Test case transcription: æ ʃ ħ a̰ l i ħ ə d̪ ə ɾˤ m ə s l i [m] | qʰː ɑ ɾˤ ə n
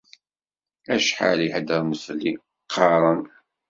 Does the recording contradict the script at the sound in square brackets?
yes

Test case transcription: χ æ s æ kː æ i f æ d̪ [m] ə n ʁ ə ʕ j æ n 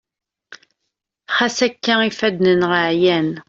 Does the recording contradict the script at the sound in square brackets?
yes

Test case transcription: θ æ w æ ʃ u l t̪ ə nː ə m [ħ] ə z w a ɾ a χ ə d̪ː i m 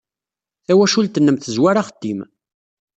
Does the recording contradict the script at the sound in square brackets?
yes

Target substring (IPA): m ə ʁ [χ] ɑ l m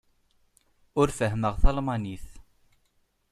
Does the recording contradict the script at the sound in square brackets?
yes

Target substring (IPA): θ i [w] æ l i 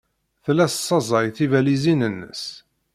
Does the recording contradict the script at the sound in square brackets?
yes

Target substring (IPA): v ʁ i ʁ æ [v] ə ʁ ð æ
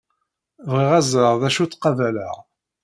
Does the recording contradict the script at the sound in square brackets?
yes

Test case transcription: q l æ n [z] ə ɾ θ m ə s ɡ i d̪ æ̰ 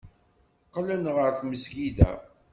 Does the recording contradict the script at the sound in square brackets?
yes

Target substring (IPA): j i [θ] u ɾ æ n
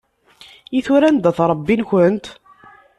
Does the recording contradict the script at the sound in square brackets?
no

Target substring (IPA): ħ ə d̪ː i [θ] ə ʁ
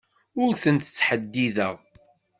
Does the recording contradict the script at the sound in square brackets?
yes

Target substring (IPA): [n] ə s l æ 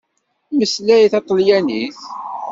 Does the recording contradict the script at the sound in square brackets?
yes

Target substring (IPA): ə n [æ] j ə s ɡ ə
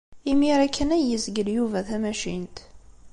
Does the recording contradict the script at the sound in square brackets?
no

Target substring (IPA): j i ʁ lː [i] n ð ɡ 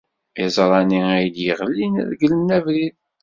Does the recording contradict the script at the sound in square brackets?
no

